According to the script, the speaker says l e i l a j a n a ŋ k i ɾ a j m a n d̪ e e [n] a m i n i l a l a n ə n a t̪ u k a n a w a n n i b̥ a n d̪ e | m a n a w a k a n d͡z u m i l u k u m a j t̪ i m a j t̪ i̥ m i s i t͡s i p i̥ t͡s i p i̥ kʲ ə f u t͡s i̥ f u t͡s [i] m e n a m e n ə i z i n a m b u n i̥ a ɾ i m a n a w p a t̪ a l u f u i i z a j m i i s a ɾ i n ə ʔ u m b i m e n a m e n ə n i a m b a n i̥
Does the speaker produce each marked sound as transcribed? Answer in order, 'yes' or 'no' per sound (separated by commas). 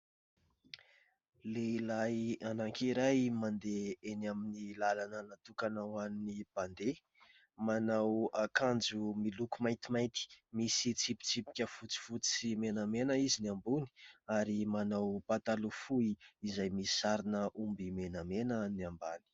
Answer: yes, yes